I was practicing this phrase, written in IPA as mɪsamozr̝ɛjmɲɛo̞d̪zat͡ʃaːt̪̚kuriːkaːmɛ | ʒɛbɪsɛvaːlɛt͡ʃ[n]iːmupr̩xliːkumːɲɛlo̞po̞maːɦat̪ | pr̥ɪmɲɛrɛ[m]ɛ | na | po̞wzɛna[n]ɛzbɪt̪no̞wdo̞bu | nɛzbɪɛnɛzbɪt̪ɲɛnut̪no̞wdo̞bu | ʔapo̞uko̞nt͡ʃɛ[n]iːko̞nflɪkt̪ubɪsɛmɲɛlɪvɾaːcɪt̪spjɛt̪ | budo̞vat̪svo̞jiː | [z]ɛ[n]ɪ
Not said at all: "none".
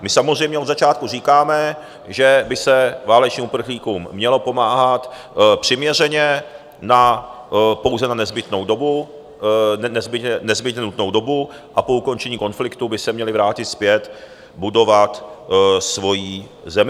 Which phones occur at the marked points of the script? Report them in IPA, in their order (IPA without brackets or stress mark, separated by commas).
ɲ, ɲ, n, ɲ, z, m